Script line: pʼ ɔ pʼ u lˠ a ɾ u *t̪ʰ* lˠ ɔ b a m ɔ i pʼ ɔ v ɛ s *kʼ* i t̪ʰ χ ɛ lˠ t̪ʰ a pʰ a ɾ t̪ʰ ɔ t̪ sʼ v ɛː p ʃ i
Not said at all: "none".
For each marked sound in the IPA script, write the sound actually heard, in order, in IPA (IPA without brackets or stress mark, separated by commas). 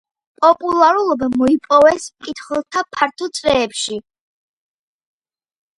none, kʼ